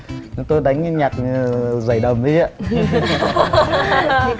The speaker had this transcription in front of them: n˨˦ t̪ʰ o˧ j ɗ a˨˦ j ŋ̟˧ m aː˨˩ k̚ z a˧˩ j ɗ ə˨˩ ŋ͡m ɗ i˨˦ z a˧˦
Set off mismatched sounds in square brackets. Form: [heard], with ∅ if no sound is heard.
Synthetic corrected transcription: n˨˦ [t̪] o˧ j ɗ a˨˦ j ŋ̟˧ [ɲ] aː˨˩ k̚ z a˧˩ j ɗ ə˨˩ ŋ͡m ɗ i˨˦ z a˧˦